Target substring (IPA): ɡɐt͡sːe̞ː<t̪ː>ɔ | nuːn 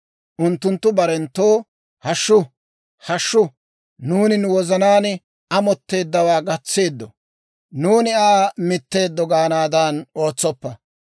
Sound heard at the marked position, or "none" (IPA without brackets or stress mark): d̪ː